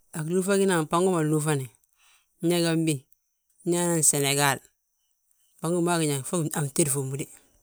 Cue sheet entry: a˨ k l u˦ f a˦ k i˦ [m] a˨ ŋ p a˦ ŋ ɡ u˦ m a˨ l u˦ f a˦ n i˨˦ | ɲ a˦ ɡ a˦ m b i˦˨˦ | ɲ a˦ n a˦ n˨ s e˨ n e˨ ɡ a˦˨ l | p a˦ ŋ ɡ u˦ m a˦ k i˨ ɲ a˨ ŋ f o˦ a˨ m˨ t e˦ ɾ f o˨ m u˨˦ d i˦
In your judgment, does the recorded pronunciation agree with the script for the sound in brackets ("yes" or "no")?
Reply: no